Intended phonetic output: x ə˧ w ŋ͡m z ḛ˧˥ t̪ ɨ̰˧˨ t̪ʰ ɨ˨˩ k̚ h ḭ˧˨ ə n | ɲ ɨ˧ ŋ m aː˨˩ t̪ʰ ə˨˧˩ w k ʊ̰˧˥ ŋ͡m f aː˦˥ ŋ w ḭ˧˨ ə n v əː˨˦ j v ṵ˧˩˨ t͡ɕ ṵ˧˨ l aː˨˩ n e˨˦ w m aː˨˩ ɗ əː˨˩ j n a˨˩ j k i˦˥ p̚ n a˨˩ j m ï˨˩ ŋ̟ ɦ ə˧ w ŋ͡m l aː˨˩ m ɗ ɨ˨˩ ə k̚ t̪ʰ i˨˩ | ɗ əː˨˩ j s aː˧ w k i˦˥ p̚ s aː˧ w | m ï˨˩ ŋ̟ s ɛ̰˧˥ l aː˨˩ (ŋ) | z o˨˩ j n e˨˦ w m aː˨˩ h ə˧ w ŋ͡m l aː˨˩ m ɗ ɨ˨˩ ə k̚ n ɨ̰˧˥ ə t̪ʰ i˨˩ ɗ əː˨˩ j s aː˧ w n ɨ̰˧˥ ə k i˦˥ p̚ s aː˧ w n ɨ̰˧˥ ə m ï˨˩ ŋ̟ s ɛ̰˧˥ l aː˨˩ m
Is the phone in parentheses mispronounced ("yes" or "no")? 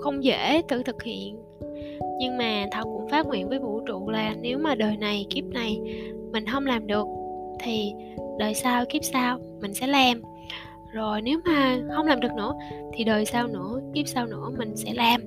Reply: yes